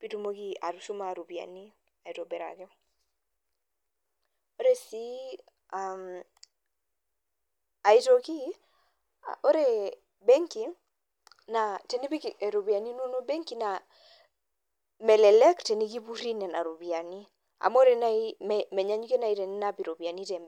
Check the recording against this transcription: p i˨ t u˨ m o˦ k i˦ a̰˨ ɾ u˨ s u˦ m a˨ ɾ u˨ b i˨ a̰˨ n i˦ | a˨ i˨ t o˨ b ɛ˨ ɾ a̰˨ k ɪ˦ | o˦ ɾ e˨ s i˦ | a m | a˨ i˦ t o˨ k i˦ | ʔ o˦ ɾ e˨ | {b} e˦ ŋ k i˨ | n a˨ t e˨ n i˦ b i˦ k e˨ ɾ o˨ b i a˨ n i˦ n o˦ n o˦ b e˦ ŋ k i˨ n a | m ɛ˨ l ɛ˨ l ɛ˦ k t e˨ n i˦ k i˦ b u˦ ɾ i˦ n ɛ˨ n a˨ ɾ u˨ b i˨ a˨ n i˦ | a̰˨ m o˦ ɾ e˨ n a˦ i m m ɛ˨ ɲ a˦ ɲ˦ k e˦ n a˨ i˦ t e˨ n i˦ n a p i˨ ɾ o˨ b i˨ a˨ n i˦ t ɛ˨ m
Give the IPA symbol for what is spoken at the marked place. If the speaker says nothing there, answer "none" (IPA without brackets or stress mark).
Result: b